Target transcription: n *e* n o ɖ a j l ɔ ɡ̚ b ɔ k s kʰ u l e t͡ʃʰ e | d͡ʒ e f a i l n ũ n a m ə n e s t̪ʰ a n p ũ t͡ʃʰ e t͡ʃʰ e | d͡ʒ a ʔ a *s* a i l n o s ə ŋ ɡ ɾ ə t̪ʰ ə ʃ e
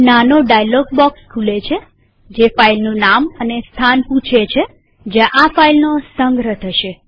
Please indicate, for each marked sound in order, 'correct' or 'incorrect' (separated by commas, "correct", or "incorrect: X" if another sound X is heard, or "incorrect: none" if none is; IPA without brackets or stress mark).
incorrect: a, incorrect: f